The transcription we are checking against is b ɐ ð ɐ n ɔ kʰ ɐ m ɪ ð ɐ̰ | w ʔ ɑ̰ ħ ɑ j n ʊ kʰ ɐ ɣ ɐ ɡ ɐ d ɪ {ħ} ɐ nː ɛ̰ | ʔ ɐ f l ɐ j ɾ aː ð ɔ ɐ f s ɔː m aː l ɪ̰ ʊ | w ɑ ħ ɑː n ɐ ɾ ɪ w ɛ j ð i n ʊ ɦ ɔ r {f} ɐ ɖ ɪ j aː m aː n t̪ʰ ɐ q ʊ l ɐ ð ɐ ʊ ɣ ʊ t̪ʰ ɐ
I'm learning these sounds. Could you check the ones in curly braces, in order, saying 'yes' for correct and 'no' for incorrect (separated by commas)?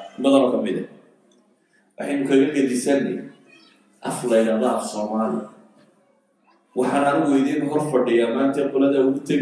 no, yes